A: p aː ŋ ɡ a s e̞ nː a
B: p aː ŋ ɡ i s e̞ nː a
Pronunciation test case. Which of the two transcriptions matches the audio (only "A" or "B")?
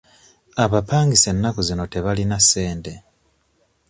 B